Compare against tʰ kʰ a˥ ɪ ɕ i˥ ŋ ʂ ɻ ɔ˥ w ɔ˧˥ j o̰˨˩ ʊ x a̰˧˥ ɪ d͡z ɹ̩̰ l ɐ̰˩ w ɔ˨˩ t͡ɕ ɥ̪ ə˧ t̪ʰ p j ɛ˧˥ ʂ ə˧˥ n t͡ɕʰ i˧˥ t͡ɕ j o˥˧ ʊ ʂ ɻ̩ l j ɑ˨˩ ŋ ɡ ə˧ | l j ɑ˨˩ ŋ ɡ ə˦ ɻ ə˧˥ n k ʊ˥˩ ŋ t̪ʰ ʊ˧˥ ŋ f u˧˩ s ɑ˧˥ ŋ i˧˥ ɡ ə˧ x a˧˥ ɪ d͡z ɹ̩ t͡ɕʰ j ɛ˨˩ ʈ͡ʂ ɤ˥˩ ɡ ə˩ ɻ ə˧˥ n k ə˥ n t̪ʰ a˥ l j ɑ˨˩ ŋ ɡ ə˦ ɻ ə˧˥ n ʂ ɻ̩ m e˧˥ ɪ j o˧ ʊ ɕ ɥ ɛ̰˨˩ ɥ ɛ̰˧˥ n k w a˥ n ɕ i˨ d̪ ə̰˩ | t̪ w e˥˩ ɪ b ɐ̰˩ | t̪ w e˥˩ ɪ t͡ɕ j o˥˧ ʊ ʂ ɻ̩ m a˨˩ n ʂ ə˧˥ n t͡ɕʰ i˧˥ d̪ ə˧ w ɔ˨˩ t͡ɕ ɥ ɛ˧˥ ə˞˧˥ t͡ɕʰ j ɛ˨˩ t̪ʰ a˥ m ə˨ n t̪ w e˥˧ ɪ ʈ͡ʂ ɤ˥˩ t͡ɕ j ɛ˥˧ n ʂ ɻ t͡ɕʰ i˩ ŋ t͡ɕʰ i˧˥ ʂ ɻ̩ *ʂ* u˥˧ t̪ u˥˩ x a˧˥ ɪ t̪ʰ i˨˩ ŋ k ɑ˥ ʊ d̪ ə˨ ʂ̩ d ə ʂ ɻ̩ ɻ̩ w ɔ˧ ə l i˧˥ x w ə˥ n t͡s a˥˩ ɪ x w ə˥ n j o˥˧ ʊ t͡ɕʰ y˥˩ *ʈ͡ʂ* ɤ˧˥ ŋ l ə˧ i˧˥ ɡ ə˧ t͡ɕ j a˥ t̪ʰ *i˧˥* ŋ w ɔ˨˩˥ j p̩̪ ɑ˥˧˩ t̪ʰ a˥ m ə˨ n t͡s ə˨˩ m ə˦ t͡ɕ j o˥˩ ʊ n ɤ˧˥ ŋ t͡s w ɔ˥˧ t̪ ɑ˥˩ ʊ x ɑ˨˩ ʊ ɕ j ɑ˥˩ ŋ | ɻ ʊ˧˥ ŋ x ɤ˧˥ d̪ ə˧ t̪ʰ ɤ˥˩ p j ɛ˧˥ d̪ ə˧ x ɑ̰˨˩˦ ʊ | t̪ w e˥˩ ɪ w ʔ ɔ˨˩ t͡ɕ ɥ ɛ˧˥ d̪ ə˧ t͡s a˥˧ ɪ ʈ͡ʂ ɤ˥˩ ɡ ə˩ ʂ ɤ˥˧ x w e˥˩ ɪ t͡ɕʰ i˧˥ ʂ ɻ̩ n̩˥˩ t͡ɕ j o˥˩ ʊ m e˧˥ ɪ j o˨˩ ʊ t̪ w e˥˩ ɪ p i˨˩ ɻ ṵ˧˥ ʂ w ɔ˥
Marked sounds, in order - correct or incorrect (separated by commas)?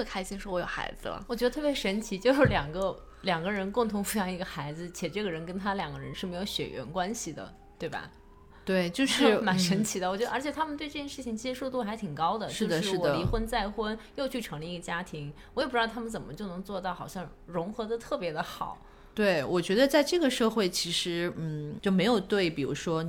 correct, incorrect, correct